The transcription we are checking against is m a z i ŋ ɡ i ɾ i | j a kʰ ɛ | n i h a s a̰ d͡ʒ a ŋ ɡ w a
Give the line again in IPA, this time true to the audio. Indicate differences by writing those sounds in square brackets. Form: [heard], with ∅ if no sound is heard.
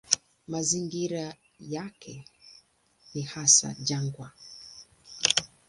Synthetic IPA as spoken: m a z i ŋ ɡ i ɾ [a] | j a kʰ ɛ | n i h a s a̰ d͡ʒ a ŋ ɡ w a